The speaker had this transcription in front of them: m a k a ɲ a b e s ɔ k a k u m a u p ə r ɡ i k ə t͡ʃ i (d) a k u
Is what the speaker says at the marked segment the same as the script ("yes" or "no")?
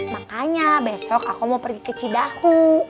yes